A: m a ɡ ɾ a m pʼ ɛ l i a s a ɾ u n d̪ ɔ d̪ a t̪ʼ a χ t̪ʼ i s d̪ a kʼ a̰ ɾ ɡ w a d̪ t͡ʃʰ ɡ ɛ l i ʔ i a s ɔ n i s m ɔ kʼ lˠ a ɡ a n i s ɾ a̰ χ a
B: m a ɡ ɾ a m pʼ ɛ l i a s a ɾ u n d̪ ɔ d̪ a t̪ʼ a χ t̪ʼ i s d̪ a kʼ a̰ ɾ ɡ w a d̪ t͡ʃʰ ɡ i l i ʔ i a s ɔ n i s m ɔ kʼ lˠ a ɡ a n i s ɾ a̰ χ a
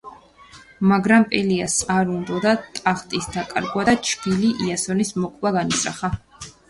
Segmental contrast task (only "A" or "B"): B